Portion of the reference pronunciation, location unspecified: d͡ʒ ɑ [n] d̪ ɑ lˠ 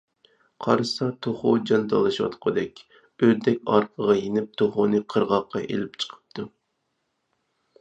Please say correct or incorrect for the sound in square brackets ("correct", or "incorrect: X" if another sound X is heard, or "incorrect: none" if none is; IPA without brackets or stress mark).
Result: correct